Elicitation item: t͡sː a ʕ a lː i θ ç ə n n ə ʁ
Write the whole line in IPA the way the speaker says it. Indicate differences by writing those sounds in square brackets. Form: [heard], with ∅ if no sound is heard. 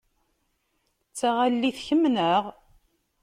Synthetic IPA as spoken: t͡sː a [ʁ] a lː i θ ç ə [m] n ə ʁ